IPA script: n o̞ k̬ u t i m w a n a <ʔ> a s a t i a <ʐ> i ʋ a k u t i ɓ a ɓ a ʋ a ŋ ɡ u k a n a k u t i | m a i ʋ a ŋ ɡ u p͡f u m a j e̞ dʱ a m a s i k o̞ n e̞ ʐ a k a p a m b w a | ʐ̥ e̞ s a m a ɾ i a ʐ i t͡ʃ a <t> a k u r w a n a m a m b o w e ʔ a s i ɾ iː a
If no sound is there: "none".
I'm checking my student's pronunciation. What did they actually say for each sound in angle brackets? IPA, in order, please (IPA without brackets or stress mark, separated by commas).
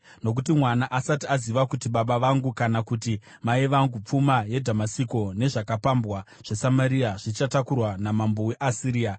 ʔ, z, t